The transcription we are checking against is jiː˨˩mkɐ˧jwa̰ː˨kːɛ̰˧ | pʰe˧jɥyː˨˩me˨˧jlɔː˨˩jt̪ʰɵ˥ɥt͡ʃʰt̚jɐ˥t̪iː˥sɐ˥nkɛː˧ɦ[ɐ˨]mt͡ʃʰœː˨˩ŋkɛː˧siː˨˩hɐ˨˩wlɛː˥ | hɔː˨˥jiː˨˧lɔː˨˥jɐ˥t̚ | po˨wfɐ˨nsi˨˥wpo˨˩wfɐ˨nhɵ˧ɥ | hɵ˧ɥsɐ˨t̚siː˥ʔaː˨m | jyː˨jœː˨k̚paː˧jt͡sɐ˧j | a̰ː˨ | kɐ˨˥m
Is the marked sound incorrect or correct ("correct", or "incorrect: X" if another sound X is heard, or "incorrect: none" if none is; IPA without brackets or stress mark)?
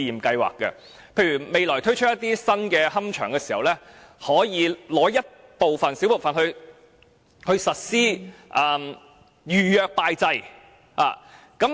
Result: incorrect: ɐ˥